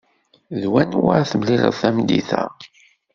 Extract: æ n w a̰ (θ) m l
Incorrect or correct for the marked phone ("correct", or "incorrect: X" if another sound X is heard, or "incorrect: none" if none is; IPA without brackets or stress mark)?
correct